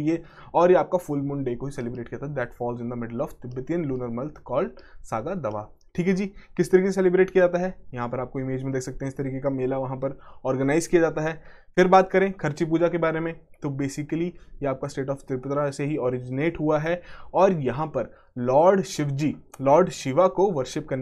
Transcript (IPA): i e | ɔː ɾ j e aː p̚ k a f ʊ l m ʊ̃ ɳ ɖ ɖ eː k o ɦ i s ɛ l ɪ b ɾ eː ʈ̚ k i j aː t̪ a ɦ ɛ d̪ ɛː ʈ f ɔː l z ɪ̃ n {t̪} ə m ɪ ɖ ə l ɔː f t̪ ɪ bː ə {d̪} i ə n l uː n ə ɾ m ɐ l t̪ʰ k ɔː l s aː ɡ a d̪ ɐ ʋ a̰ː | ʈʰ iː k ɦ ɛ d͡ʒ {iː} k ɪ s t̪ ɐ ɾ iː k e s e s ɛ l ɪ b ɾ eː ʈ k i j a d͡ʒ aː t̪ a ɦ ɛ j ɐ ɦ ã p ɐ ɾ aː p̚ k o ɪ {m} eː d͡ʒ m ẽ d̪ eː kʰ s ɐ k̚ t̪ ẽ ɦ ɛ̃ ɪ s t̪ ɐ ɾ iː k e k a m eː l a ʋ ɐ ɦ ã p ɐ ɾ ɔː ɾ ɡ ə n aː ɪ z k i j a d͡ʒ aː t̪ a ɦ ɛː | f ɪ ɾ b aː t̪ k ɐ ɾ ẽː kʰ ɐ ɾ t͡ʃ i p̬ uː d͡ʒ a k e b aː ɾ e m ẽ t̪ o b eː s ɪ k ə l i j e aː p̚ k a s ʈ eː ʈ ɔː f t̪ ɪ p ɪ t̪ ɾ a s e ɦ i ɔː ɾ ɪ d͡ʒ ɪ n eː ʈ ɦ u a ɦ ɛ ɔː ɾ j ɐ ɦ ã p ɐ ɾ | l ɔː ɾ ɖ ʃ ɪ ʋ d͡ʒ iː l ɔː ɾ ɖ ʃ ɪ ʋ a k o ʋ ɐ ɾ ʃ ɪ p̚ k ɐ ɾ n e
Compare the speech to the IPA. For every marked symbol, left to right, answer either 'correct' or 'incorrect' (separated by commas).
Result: incorrect, incorrect, correct, correct